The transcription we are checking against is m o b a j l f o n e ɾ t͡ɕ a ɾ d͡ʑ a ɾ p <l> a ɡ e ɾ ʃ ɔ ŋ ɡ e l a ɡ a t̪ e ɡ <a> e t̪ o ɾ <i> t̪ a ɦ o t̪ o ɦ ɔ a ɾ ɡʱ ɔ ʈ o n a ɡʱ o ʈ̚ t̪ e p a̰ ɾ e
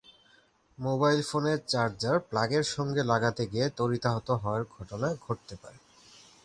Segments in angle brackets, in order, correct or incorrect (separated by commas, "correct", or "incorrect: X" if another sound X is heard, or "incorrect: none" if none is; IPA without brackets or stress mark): correct, incorrect: i, correct